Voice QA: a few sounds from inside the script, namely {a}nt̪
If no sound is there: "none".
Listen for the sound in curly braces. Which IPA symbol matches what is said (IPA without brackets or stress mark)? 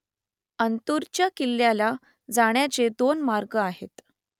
ə